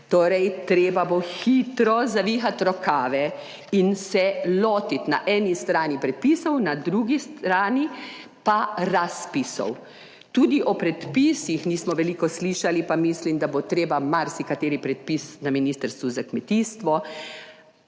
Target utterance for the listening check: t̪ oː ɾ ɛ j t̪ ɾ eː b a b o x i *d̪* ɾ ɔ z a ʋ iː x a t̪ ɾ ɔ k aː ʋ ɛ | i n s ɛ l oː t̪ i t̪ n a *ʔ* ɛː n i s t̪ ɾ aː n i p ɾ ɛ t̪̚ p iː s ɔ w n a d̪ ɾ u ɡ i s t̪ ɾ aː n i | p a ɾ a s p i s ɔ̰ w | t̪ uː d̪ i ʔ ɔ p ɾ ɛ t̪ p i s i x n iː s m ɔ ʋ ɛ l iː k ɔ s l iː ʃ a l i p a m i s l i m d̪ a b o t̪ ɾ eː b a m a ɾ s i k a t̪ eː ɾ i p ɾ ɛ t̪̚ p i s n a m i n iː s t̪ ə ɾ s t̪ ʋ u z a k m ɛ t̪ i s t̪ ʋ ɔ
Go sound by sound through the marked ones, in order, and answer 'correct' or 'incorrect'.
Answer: incorrect: t̪, correct

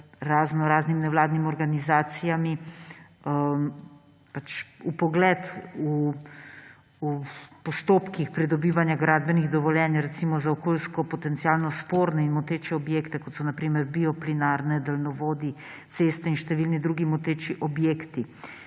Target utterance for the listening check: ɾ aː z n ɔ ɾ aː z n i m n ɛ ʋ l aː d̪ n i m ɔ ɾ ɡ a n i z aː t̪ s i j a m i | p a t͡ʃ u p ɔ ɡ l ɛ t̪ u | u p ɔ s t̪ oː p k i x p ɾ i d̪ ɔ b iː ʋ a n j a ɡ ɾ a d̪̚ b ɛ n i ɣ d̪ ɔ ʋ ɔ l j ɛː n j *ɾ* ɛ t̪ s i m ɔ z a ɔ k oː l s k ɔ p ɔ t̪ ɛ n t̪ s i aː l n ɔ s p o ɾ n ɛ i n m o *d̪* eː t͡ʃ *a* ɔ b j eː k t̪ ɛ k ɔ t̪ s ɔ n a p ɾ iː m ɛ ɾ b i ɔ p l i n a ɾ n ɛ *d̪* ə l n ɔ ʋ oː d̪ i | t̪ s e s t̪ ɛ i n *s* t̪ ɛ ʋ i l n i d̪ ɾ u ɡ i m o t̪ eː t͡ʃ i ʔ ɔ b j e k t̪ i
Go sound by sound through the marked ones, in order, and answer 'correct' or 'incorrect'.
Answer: correct, incorrect: t̪, incorrect: ɛ, correct, incorrect: ʃ

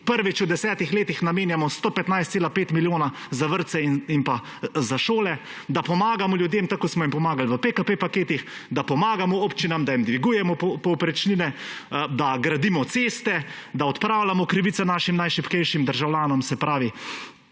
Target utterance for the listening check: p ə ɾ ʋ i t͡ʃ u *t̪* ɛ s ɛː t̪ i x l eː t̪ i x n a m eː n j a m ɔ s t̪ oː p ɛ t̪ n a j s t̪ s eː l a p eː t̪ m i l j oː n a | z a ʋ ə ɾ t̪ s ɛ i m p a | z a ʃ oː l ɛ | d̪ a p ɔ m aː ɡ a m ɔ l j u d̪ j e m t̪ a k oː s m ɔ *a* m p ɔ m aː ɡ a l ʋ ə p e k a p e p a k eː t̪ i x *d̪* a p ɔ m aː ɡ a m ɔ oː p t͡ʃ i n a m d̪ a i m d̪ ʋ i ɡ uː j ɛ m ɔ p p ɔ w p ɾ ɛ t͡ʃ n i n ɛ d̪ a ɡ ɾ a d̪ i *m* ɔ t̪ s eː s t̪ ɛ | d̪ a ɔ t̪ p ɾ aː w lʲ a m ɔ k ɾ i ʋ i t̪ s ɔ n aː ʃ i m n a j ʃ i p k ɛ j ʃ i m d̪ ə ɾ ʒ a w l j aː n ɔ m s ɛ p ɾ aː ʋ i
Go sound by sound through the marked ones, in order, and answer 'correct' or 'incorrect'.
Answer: incorrect: d̪, incorrect: i, correct, correct

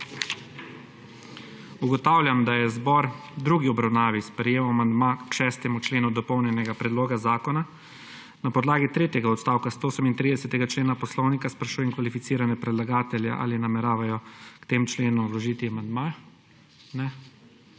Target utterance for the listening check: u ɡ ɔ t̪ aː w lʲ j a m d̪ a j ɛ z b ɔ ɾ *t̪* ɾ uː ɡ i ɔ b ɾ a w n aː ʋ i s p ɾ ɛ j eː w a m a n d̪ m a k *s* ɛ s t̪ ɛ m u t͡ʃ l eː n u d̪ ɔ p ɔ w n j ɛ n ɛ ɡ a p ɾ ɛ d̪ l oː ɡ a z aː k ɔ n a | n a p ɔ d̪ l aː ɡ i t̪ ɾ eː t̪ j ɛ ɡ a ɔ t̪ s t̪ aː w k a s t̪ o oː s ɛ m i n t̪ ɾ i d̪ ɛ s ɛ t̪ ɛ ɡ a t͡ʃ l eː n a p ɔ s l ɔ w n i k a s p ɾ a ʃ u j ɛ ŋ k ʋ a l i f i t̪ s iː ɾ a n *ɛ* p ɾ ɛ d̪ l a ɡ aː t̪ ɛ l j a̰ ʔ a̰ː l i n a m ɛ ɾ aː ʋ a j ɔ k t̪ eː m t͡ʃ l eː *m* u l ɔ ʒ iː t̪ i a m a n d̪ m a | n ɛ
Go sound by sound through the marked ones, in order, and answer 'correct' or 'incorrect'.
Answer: incorrect: d̪, incorrect: ʃ, correct, incorrect: n

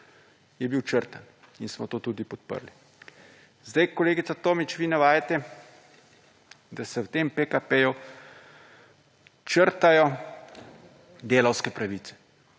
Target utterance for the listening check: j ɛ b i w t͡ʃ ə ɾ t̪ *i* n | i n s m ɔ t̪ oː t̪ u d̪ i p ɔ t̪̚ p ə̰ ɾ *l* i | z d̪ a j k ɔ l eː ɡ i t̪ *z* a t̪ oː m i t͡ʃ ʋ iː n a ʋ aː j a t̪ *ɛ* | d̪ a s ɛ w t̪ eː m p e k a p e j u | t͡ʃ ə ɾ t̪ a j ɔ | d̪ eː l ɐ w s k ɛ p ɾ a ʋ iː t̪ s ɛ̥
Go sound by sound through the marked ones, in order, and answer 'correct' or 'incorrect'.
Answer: incorrect: a, correct, incorrect: s, correct

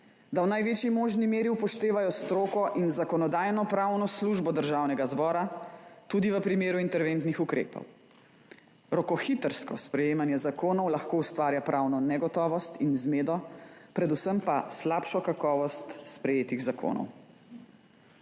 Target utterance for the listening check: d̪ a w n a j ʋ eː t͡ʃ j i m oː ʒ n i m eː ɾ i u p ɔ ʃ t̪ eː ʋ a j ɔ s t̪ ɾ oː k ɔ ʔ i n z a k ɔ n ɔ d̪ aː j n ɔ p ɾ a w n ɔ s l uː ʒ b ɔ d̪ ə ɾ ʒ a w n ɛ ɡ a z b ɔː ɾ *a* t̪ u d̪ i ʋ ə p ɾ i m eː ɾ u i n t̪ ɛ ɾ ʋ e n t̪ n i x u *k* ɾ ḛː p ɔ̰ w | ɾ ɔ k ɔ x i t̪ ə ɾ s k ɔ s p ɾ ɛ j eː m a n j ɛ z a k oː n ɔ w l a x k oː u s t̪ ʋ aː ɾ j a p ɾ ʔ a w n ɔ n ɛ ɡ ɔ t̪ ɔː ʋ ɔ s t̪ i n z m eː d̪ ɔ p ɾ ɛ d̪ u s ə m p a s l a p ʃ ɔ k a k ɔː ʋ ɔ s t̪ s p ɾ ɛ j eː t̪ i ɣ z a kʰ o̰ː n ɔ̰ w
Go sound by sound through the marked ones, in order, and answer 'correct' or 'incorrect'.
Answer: correct, correct

